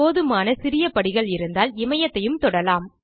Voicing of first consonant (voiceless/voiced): voiced